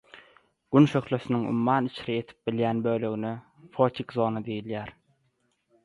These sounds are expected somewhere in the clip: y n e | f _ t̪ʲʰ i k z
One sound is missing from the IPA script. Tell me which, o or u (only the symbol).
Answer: o